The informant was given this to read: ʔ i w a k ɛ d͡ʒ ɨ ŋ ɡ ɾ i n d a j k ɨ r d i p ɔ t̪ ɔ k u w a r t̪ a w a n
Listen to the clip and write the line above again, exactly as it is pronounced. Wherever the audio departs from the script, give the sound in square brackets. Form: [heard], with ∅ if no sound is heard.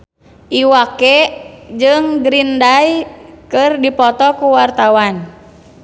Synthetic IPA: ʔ i w a k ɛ d͡ʒ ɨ ŋ ɡ ɾ i n d a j k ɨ r d i p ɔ t̪ ɔ k u w a r t̪ a w a n